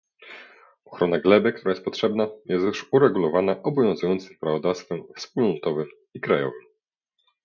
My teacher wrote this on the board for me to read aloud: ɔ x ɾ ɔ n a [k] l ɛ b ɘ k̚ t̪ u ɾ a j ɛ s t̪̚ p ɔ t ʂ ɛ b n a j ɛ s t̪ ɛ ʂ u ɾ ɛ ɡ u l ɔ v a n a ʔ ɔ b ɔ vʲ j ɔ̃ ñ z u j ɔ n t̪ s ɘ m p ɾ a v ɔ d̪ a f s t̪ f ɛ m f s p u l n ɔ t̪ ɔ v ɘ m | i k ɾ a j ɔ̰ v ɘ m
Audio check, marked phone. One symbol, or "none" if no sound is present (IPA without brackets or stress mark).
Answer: ɡ